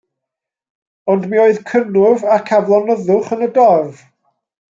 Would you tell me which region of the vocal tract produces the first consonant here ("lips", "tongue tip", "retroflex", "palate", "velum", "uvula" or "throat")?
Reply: tongue tip